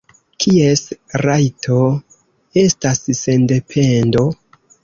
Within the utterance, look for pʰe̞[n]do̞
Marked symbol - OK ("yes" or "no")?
yes